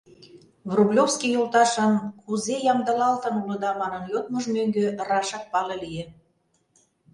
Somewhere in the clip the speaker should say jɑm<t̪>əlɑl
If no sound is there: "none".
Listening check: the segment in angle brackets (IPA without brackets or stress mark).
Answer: d̪